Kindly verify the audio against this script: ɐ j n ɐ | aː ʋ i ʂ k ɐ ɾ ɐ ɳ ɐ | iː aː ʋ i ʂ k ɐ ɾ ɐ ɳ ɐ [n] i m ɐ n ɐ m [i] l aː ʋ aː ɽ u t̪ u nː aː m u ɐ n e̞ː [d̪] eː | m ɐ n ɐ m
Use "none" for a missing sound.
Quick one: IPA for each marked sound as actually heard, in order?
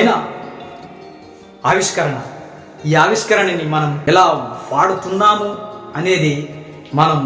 n, ɛ, d̪

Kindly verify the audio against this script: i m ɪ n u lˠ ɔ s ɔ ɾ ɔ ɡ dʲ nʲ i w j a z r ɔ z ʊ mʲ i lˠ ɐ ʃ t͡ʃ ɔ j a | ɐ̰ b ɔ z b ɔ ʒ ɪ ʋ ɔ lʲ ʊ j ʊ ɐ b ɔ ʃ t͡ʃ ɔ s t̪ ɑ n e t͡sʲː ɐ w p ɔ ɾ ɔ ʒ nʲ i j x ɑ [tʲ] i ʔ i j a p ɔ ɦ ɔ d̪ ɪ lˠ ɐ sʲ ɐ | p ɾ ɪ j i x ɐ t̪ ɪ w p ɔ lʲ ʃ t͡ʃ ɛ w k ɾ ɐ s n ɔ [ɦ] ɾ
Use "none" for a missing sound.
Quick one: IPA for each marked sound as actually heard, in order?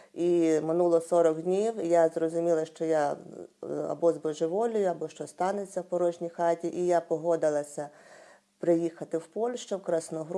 tʲ, ɦ

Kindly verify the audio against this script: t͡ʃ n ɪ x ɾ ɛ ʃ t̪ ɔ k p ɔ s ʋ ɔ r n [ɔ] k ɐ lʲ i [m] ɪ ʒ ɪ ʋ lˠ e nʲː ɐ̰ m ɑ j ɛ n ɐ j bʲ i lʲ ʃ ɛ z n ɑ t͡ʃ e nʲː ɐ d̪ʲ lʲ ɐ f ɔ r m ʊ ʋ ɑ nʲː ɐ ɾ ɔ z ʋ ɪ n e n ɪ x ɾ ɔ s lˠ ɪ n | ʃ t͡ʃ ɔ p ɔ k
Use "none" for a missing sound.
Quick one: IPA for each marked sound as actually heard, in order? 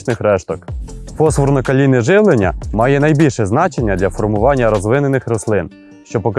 ɔ, n

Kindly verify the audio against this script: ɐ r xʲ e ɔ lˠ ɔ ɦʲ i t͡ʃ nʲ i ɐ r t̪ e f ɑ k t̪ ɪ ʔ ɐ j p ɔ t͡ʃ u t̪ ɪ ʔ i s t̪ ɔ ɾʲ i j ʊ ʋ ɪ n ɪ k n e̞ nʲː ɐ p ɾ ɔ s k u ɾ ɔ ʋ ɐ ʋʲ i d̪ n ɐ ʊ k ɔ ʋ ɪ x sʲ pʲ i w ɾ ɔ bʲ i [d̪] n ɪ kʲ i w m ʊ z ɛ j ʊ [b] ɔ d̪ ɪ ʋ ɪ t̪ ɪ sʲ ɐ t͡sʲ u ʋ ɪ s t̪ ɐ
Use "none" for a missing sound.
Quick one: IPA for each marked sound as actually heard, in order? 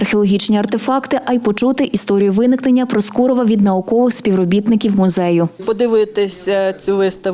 t̪, p

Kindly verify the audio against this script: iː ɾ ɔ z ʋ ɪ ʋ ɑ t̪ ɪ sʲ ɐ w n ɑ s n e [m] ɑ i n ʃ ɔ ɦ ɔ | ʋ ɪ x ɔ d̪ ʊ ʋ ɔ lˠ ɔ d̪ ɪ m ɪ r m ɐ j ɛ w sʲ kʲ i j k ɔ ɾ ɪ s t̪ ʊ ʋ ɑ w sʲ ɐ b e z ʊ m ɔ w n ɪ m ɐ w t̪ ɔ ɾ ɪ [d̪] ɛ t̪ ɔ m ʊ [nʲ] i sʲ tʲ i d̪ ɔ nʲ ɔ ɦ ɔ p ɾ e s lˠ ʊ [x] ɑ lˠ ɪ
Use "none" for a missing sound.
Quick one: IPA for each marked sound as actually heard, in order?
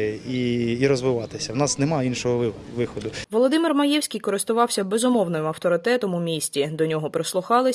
m, t̪, mʲ, x

